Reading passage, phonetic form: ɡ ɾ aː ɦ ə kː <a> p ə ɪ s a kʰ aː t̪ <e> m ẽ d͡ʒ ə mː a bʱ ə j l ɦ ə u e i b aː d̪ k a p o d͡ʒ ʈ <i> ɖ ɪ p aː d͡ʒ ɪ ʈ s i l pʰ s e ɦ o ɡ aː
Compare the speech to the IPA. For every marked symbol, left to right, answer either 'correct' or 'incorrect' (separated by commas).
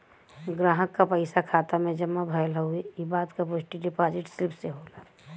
correct, incorrect, correct